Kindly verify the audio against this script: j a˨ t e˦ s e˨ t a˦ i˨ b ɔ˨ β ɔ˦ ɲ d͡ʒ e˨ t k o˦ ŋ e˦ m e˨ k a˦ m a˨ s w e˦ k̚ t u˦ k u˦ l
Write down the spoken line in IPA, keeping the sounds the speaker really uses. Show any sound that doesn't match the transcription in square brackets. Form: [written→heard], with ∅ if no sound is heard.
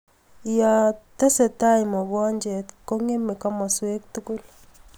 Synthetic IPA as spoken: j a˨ t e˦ s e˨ t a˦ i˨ [b→m] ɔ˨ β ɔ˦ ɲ d͡ʒ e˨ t k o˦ ŋ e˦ m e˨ k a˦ m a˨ s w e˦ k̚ t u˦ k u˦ l